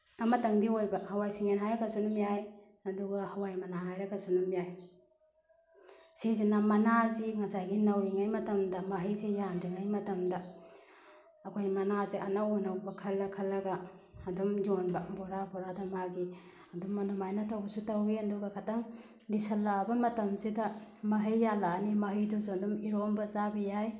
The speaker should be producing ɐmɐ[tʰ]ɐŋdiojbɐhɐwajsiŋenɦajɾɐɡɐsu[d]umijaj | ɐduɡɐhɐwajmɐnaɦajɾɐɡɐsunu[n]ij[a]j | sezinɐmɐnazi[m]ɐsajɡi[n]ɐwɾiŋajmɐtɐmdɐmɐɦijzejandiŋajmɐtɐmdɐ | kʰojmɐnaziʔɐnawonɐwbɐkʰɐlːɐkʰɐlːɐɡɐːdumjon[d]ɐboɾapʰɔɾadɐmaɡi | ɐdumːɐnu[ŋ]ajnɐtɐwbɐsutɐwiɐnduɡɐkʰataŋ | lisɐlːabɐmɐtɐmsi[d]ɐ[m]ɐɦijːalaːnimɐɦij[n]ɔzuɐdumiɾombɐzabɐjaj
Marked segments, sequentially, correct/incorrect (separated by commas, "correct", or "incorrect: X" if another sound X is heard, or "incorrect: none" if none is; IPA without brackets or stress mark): incorrect: t, incorrect: n, incorrect: m, correct, incorrect: ŋ, correct, incorrect: b, incorrect: m, correct, correct, incorrect: d